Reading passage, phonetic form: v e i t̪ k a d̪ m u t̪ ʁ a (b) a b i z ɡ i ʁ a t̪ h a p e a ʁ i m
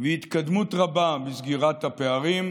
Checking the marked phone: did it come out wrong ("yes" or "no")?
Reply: no